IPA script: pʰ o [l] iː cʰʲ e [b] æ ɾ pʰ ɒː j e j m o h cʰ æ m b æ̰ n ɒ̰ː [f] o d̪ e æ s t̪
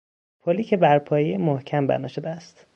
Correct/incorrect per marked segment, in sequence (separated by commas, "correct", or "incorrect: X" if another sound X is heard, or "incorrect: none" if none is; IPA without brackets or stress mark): correct, correct, incorrect: ʃ